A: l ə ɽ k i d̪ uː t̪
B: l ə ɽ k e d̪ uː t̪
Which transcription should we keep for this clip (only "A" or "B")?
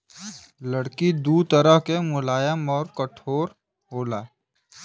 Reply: A